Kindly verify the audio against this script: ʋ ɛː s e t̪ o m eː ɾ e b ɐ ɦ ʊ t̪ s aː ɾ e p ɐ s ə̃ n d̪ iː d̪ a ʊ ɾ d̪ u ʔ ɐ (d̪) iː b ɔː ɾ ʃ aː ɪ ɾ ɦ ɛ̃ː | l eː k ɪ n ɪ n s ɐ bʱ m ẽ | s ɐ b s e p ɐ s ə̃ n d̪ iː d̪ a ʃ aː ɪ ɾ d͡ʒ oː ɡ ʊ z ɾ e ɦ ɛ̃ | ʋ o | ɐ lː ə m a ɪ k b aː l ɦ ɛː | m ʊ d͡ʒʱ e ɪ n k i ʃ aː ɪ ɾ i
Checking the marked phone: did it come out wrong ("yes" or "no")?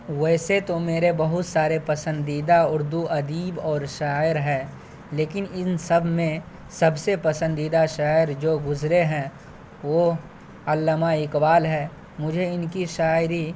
no